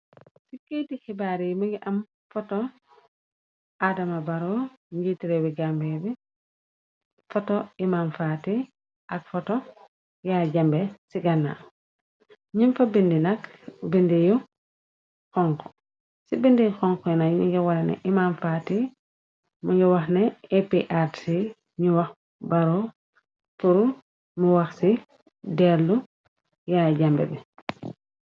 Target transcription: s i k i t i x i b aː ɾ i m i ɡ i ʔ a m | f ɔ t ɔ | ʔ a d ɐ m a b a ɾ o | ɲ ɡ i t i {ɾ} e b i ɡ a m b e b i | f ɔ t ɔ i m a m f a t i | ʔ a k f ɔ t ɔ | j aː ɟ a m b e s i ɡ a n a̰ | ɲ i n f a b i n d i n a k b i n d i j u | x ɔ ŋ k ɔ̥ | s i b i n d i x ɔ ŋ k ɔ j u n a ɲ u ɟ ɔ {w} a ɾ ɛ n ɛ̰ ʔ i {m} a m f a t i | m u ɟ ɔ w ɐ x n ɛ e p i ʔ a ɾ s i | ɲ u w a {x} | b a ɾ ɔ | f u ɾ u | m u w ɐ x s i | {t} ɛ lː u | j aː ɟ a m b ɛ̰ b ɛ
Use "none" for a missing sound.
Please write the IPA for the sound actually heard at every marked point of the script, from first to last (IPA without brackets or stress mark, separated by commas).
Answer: ɾ, w, m, x, d